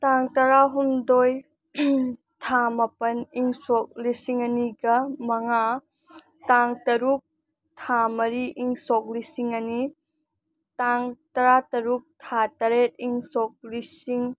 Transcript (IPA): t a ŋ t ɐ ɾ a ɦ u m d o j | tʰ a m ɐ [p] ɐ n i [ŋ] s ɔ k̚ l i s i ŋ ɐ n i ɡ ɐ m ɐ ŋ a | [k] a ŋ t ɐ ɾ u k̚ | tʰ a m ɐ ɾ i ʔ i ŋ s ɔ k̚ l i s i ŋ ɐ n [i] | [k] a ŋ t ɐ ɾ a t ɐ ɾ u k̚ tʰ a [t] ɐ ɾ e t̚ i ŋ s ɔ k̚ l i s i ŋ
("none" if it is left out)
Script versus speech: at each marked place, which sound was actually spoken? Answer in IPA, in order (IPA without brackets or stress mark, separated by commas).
p, ŋ, t, i, t, t